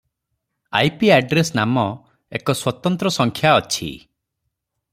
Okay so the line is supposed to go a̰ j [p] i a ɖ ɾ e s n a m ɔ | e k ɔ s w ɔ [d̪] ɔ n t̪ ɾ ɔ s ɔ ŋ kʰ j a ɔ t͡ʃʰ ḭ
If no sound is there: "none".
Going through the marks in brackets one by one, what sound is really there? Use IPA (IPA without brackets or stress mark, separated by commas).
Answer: p, t̪